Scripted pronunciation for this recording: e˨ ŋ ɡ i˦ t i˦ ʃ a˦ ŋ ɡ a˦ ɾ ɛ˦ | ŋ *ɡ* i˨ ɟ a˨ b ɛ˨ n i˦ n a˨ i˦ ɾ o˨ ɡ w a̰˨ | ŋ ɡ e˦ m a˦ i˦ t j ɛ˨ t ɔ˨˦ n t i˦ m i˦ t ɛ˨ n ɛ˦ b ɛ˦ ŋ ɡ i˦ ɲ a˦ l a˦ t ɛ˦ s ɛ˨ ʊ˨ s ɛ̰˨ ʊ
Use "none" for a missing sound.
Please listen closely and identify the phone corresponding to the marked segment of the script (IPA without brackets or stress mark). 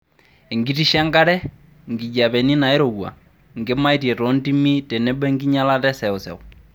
ɡ